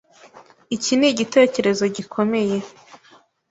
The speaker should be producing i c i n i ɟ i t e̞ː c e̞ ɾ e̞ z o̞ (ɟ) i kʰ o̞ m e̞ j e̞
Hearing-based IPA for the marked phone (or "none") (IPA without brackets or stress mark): ɟ